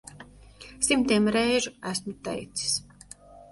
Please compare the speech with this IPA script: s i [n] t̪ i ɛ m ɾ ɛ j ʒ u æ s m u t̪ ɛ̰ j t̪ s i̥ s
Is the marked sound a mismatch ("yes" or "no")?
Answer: yes